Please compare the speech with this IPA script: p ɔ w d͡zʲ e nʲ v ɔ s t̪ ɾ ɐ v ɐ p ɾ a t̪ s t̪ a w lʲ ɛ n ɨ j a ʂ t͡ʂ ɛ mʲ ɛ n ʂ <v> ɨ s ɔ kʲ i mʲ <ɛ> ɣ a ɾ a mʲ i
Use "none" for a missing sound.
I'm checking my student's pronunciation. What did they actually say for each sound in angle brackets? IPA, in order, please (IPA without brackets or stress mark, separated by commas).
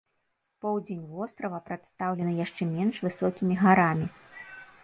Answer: v, i